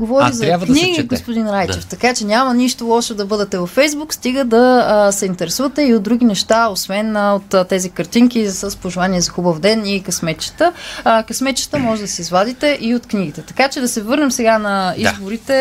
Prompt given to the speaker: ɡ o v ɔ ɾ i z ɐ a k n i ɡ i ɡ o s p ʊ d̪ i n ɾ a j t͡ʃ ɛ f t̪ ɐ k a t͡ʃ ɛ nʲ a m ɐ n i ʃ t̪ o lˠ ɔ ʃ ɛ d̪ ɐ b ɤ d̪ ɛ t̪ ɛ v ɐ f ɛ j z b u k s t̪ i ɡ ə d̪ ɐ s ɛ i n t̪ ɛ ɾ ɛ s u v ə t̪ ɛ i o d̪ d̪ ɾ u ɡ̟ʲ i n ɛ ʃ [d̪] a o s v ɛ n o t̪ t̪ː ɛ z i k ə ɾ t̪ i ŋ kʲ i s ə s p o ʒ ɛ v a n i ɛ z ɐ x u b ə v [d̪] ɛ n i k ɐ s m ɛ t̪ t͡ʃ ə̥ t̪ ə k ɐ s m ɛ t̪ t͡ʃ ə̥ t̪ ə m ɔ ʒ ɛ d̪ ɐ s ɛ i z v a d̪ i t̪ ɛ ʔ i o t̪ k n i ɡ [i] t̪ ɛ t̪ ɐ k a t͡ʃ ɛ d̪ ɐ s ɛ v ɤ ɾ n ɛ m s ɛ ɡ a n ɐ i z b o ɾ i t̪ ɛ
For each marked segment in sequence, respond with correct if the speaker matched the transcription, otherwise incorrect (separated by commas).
incorrect, correct, correct